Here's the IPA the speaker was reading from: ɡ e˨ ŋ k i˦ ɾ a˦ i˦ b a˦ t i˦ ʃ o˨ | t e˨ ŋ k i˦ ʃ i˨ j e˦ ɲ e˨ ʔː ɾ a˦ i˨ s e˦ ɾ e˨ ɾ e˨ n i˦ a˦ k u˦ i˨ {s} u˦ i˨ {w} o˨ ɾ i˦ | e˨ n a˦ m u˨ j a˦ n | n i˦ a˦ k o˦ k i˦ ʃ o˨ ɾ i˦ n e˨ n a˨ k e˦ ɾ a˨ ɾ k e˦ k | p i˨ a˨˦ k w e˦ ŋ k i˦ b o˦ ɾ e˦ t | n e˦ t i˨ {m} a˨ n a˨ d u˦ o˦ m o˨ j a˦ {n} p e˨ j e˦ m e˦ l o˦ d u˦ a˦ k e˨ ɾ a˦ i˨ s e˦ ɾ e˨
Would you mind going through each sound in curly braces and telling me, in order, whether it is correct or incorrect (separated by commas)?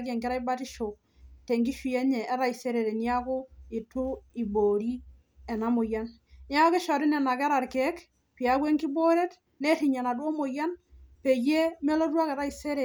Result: incorrect, incorrect, incorrect, correct